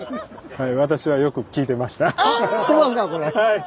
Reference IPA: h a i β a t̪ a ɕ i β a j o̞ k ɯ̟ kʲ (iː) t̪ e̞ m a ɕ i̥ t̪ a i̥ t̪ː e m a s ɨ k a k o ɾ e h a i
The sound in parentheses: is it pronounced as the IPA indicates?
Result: yes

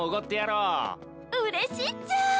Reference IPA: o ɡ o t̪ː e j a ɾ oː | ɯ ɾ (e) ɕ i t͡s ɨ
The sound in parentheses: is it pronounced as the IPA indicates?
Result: yes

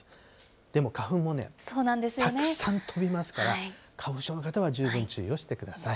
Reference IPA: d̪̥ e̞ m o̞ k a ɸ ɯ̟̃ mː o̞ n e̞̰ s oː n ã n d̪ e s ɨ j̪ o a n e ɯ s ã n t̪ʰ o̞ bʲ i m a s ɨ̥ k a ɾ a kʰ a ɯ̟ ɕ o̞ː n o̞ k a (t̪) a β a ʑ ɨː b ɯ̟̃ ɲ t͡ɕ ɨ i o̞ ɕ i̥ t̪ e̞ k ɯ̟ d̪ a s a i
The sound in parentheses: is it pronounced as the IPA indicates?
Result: yes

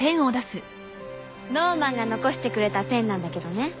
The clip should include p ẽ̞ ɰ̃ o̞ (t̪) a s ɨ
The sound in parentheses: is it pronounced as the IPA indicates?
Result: no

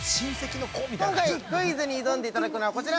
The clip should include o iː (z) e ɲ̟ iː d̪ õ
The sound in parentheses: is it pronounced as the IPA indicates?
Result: yes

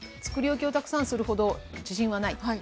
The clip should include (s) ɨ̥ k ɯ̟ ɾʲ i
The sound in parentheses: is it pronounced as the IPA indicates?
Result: no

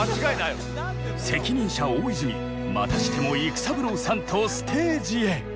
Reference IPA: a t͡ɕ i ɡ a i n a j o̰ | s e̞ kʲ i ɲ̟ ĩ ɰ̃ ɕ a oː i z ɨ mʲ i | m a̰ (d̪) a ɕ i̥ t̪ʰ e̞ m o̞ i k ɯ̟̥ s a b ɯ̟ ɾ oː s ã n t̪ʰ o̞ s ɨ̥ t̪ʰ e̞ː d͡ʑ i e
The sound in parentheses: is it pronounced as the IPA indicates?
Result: no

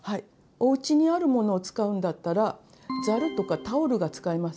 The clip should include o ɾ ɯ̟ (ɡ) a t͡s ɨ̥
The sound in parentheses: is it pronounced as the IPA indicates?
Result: yes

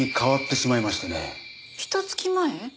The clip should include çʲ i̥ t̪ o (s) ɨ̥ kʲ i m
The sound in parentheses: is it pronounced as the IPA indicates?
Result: no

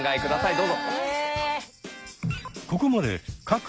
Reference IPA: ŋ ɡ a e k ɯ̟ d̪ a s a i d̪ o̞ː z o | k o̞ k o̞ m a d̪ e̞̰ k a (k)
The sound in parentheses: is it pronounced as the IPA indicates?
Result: yes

